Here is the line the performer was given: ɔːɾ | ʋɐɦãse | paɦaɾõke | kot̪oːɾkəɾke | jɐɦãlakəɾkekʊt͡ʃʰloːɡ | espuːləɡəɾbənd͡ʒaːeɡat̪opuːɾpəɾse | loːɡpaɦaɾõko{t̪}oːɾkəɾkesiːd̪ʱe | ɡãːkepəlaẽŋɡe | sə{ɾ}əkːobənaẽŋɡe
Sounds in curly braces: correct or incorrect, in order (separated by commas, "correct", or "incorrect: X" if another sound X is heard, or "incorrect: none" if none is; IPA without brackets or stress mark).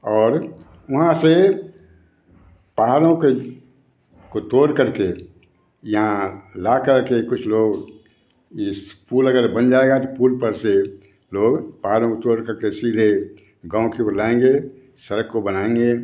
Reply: correct, correct